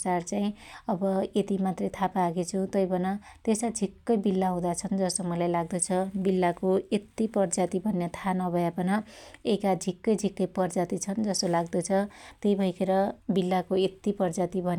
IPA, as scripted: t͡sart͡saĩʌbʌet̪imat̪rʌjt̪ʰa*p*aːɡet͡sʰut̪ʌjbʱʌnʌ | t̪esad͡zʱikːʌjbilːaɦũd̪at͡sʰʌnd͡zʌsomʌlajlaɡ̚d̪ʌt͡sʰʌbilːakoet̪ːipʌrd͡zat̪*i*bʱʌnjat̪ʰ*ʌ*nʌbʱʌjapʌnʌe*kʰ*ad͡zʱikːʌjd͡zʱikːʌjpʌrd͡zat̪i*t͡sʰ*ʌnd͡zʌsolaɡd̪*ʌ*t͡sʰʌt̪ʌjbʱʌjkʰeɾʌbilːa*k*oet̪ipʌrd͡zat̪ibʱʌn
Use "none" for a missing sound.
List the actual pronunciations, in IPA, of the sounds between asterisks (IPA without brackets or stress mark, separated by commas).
p, i, a, k, t͡sʰ, ʌ, k